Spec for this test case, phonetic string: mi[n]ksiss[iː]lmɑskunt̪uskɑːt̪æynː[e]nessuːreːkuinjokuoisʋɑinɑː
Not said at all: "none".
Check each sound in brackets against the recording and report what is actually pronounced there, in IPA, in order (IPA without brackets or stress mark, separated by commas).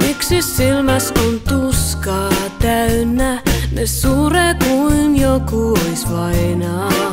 none, i, æ